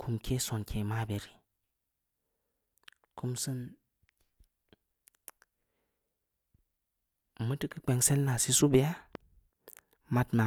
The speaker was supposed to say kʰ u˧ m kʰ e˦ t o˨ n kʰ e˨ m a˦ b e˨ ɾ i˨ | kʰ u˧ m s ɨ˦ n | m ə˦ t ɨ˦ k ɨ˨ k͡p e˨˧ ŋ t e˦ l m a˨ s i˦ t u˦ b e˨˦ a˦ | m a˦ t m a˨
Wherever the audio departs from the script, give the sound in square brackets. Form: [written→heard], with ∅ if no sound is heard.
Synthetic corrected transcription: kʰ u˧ m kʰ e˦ [t→s] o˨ n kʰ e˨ m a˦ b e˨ ɾ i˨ | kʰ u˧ m s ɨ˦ n | m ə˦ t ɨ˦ k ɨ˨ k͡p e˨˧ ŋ [t→s] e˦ l [m→n] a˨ s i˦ [t→s] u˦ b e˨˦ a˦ | m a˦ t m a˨